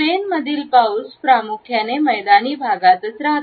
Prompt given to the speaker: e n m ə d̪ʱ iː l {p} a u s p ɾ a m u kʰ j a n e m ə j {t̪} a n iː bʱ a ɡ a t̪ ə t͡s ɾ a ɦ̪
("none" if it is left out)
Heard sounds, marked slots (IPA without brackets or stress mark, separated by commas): p, d̪